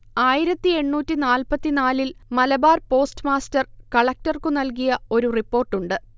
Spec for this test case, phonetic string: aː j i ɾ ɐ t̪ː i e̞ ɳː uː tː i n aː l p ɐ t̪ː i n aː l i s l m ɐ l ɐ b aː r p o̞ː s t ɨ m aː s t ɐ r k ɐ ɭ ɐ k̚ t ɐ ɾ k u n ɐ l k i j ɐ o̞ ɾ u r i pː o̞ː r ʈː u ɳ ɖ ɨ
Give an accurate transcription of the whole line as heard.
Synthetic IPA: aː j i ɾ ɐ t̪ː i e̞ ɳː uː tː i n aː l p ɐ t̪ː i n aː l i l m ɐ l ɐ b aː r p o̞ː s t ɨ m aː s t ɐ r k ɐ ɭ ɐ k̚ t ɐ r k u n ɐ l k i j ɐ o̞ ɾ u r i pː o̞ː r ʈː u ɳ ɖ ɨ